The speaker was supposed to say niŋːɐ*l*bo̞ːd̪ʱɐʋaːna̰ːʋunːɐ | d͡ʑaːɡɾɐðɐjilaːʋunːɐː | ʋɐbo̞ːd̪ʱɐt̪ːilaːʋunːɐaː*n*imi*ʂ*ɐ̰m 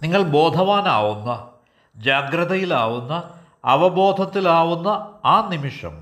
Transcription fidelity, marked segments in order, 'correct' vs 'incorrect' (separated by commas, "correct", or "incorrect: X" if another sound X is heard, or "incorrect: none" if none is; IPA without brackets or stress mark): incorrect: ɭ, correct, correct